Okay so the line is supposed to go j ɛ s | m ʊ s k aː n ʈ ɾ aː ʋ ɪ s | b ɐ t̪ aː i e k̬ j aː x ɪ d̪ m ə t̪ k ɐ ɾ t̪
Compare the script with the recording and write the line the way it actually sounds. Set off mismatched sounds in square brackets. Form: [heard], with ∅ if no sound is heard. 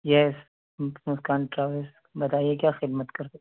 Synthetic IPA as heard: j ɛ s | m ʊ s k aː n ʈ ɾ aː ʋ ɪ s | b ɐ t̪ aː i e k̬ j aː x ɪ d̪ m ə t̪ k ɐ ɾ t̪